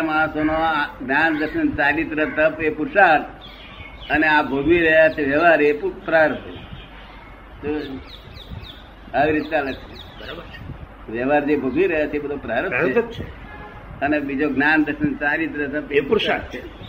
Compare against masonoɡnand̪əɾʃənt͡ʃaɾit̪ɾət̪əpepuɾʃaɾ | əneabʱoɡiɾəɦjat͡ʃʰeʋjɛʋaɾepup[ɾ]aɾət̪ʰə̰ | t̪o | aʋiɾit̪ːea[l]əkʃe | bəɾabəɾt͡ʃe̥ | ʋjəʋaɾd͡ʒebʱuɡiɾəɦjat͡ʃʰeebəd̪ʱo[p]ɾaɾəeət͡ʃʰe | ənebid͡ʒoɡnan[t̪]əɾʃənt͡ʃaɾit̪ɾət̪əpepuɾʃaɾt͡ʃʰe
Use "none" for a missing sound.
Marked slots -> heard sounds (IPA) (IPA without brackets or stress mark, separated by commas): ɾ, l, p, d̪